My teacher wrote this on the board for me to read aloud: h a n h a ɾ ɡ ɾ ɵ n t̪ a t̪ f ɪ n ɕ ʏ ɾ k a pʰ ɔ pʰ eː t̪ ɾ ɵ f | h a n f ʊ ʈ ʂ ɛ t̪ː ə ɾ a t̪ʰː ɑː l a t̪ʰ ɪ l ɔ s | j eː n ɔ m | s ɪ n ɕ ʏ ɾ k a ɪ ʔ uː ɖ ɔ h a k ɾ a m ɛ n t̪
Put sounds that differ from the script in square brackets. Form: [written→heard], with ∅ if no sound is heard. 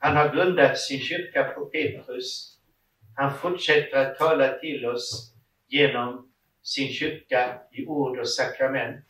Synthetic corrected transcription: h a n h a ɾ ɡ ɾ ɵ n [t̪→d̪] a t̪ [f→s] ɪ n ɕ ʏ ɾ k a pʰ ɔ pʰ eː t̪ ɾ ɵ [f→s] | h a n f ʊ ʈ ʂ ɛ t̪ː ə ɾ a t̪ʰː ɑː l a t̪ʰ ɪ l ɔ s | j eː n ɔ m | s ɪ n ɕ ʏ ɾ k a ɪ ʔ uː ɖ ɔ [h→s] a k ɾ a m ɛ n t̪